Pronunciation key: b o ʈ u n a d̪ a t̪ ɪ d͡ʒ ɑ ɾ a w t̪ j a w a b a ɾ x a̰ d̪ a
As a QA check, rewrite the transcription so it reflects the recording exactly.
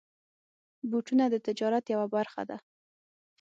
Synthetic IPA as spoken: b u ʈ u n a d̪ ə t̪ ɪ d͡ʒ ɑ ɾ a t̪ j a w a b a ɾ x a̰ d̪ a